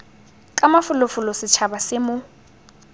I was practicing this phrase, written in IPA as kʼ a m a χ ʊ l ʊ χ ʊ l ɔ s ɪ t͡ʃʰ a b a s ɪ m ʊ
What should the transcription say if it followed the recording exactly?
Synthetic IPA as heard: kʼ a m a f ʊ l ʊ f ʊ l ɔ s ɪ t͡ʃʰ a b a s ɪ m ʊ